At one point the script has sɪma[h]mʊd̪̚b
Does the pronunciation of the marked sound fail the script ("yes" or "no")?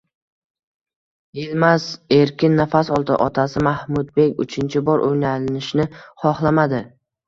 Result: no